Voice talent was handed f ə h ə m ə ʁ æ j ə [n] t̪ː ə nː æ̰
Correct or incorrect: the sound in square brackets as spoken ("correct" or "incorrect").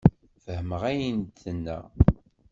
correct